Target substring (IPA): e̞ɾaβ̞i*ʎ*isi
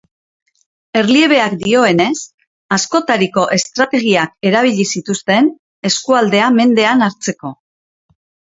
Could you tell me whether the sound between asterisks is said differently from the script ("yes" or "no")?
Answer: no